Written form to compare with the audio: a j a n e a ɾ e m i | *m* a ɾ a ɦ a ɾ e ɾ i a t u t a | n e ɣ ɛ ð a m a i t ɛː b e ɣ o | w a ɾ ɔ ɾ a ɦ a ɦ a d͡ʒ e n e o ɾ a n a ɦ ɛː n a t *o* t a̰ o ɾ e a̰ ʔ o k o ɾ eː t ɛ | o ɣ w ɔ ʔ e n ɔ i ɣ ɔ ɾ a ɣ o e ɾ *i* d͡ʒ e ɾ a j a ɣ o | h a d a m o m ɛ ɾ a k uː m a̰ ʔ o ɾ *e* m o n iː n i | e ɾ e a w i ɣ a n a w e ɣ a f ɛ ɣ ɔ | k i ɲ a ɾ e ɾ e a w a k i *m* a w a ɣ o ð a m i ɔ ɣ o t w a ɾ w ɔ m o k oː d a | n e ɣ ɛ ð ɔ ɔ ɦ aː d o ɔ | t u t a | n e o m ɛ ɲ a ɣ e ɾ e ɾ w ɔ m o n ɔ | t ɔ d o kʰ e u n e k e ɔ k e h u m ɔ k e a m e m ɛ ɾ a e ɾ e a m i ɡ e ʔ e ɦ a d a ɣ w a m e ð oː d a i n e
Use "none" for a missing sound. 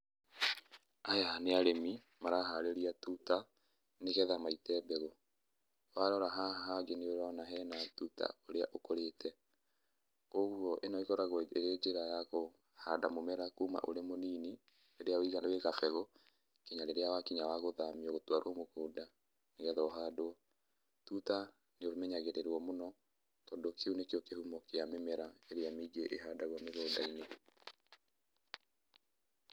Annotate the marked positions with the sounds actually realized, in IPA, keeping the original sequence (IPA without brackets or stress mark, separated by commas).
m, u, e, e, ɲ